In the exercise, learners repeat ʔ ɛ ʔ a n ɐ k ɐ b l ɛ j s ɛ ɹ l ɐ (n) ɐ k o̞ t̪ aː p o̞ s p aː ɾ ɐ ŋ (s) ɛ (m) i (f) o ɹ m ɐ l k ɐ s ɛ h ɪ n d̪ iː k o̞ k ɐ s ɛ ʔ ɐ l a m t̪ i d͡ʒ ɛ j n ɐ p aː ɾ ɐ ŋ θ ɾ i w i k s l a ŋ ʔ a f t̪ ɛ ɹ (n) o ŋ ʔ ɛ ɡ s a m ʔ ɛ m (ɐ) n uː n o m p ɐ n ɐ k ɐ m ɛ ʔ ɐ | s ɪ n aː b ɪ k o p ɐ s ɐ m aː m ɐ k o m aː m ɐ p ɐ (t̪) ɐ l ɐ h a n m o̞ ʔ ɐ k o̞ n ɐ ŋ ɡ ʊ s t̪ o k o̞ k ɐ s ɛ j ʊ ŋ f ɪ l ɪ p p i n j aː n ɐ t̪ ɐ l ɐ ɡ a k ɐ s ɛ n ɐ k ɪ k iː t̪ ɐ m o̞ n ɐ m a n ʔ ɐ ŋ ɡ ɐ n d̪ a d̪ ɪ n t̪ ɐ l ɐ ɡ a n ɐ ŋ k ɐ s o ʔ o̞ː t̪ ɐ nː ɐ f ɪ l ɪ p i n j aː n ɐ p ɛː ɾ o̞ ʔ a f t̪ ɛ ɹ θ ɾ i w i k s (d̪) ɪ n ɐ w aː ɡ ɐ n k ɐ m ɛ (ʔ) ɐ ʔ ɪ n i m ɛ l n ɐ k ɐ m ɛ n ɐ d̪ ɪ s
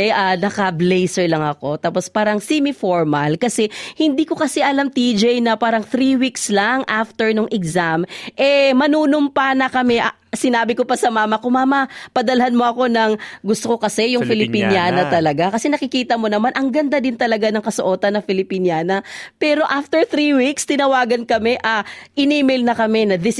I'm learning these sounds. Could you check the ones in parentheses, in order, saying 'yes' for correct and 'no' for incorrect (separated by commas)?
no, yes, yes, yes, yes, yes, no, no, yes